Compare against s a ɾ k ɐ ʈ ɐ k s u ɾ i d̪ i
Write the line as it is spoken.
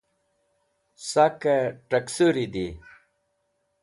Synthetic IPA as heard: s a k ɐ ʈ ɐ k s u ɾ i d̪ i

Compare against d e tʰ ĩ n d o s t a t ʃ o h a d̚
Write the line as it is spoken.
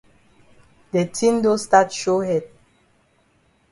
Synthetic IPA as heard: d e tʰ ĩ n d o s t a t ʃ o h ɛ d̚

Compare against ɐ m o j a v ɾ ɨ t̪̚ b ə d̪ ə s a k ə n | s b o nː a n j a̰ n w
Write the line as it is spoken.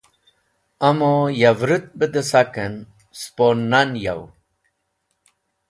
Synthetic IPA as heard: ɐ m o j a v ɾ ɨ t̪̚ b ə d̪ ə s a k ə n | s p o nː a n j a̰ w

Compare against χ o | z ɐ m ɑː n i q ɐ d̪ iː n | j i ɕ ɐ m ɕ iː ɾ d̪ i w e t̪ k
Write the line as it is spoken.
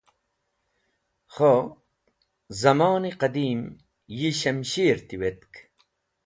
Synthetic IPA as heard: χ o | z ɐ m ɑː n i q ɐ d̪ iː m | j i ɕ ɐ m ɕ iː ɾ t̪ i w e t̪ k

